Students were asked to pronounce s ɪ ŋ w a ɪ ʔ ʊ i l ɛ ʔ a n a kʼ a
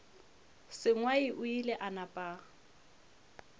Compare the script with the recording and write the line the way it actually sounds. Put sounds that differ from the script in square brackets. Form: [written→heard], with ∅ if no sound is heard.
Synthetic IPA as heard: s ɪ ŋ w a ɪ ʔ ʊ i l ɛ ʔ a n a [kʼ→pʼ] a